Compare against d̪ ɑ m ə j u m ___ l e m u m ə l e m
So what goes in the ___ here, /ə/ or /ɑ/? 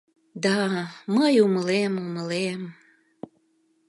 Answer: ə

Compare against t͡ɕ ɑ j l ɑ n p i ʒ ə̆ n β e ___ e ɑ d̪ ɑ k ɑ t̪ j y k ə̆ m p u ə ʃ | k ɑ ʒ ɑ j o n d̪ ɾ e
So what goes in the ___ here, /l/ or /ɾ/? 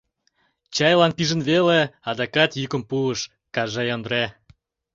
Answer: l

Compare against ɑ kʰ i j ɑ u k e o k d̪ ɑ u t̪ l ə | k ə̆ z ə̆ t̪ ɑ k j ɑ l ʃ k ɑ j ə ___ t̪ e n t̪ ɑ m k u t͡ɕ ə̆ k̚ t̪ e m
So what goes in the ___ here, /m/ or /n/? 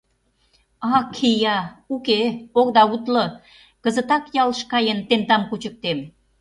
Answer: n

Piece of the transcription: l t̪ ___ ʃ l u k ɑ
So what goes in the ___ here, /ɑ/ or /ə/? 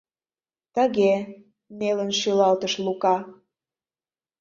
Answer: ə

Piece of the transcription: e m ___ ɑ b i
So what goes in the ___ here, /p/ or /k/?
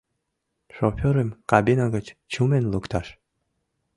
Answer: k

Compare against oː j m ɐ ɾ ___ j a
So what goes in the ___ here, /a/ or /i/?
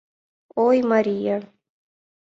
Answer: i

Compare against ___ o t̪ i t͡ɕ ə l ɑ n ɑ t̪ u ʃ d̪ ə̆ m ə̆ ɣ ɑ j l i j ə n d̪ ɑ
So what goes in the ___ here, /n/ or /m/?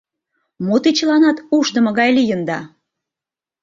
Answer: m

